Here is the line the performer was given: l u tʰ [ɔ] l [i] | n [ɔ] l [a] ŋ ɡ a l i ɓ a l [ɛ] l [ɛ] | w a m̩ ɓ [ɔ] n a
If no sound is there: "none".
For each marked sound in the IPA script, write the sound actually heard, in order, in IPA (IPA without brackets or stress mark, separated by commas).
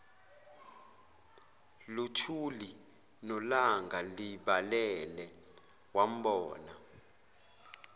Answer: u, i, ɔ, a, ɛ, ɛ, ɔː